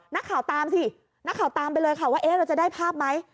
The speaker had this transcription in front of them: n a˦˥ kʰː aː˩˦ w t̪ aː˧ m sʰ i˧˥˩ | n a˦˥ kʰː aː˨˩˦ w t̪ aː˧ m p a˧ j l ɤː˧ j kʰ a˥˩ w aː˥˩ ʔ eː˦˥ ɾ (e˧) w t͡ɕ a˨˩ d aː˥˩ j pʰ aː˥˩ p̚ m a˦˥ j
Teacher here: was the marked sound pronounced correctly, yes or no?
no